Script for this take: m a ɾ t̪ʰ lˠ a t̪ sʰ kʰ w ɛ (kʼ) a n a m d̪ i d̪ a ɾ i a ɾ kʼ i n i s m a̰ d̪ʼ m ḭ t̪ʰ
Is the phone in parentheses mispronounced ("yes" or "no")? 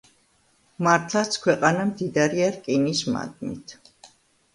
yes